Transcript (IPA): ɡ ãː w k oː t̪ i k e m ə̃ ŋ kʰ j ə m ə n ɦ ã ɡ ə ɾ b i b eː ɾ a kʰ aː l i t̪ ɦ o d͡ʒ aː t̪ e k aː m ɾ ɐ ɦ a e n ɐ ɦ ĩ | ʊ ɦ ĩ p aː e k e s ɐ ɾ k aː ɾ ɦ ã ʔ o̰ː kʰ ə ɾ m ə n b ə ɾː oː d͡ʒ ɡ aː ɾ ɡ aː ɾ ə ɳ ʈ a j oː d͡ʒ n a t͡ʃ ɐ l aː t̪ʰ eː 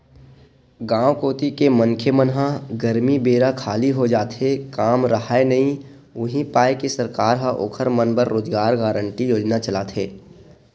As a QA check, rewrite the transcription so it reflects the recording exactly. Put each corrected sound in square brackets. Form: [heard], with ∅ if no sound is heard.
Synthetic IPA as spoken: ɡ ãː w k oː t̪ i k e m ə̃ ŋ kʰ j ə m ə n ɦ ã ɡ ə ɾ [m] i b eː ɾ a kʰ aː l i [∅] ɦ o d͡ʒ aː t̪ e k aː m ɾ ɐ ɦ a e n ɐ ɦ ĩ | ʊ ɦ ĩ p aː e k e s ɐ ɾ k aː ɾ ɦ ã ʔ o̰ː kʰ ə ɾ m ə n b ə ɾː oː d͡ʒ ɡ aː ɾ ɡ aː ɾ ə ɳ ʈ [i] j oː d͡ʒ n a t͡ʃ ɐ l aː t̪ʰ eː

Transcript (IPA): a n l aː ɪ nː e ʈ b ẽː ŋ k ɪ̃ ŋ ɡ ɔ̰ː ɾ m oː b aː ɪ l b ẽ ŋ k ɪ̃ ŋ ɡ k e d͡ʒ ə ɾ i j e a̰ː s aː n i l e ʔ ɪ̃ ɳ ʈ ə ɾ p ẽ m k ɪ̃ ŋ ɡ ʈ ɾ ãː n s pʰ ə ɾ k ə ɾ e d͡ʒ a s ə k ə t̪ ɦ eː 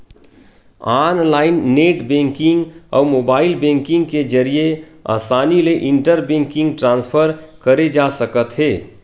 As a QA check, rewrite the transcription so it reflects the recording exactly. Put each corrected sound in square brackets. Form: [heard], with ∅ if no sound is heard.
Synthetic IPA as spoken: a n l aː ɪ nː e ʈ b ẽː ŋ k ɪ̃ ŋ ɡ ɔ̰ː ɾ m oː b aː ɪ l b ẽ ŋ k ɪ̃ ŋ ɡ k e d͡ʒ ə ɾ i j e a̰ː s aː n i l e ʔ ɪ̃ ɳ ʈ ə ɾ [b] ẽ [ŋ] k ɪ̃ ŋ ɡ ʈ ɾ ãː n s pʰ ə ɾ k ə ɾ e d͡ʒ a s ə k ə t̪ ɦ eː

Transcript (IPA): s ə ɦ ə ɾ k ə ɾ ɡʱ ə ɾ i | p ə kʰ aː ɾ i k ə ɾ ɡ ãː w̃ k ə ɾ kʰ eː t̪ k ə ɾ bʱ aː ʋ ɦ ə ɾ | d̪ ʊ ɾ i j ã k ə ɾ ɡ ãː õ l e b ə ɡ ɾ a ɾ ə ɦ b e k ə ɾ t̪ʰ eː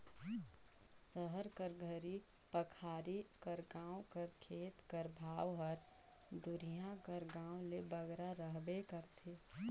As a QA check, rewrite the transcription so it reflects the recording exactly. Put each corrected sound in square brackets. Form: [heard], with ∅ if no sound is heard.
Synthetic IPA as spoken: s ə ɦ ə ɾ k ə ɾ ɡʱ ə ɾ i | p ə kʰ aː ɾ i k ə ɾ ɡ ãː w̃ k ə ɾ kʰ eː t̪ k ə ɾ bʱ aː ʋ ɦ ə ɾ | d̪ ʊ ɾ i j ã k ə ɾ ɡ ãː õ l e b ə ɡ ɾ a ɾ ə ɦ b e k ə ɾ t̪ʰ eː

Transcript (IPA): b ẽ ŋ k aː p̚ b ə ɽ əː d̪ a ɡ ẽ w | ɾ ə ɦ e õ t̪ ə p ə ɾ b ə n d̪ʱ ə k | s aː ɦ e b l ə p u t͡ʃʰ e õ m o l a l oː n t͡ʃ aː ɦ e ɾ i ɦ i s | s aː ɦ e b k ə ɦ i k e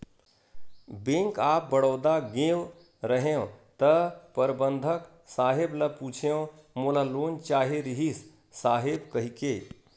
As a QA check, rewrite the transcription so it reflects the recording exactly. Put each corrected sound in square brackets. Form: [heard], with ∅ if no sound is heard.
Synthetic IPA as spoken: b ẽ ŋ k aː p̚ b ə ɽ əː d̪ a ɡ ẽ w | ɾ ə ɦ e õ t̪ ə p ə ɾ b ə n d̪ʱ ə k | s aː ɦ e b l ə p u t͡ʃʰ e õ m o l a l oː n t͡ʃ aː ɦ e ɾ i ɦ i s | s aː ɦ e b k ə ɦ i k e

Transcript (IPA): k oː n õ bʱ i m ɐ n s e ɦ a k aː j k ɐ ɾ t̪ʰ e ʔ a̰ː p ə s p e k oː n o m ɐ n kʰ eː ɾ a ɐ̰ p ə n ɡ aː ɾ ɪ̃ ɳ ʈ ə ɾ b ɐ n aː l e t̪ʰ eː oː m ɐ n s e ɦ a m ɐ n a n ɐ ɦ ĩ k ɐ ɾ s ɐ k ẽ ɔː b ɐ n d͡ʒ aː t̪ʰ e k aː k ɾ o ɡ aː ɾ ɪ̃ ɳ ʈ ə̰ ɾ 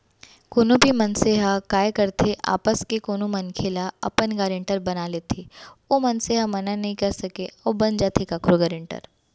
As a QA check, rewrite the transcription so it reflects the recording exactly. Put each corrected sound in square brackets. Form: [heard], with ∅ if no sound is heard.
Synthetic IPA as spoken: k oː n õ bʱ i m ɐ n s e ɦ a k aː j k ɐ ɾ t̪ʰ e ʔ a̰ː p ə s [k] e k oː n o m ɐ n kʰ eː [l] a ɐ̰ p ə n ɡ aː ɾ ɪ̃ ɳ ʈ ə ɾ b ɐ n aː l e t̪ʰ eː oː m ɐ n s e ɦ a m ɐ n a n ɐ ɦ ĩ k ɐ ɾ s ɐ k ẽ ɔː b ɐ n d͡ʒ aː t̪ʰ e k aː k ɾ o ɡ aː ɾ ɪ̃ ɳ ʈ ə̰ ɾ

